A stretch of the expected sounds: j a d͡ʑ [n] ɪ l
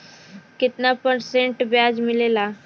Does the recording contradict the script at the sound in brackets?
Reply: yes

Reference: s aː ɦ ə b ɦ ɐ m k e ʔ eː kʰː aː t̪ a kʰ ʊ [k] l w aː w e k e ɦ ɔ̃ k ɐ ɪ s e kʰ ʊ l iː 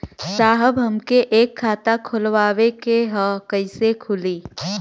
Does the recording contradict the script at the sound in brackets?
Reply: yes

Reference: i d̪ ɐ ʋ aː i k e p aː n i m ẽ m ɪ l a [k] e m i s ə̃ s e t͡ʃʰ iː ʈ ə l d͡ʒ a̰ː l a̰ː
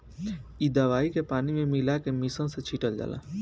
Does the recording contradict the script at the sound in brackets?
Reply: no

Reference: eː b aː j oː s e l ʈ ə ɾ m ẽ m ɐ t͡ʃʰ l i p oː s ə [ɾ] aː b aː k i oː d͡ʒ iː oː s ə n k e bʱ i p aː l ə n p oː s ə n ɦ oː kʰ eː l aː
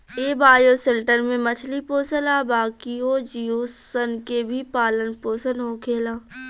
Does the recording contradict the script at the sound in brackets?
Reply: yes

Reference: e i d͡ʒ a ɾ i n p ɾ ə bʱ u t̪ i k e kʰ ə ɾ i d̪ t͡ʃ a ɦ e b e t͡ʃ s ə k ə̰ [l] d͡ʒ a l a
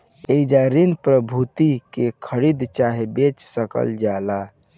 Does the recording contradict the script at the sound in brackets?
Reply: no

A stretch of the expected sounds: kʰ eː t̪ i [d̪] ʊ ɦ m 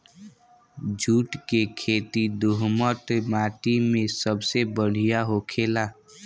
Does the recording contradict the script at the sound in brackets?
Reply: no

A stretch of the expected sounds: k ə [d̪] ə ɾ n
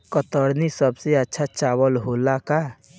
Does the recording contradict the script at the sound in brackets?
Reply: yes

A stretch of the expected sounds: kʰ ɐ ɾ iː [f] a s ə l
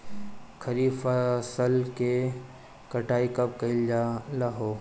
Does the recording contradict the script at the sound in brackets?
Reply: no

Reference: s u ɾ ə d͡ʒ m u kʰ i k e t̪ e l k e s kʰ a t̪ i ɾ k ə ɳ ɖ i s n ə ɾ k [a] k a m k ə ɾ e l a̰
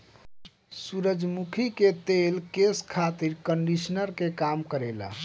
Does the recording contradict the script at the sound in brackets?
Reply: yes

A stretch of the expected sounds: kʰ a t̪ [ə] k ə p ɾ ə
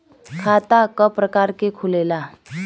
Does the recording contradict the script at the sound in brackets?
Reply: yes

